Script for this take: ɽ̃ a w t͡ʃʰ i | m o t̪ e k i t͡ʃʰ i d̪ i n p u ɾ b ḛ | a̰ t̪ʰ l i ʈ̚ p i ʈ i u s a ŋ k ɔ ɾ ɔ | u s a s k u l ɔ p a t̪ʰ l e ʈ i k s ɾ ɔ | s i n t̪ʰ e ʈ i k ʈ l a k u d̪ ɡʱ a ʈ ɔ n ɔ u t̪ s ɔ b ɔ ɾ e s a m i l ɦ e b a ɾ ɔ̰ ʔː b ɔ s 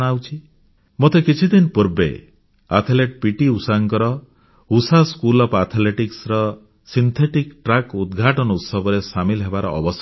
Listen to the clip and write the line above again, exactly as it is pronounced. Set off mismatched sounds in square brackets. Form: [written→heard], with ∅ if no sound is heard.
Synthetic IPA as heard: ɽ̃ a w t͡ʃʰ i | m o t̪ e k i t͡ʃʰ i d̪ i n p u ɾ b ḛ | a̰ t̪ʰ l [i→e] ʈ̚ p i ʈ i u s a ŋ k ɔ ɾ ɔ | u s a s k u l ɔ p a t̪ʰ l e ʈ i k s ɾ ɔ | s i n t̪ʰ e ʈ i k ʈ [l→ɾ] a k u d̪ ɡʱ a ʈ ɔ n ɔ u t̪ s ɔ b ɔ ɾ e s a m i l ɦ e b a ɾ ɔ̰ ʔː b ɔ s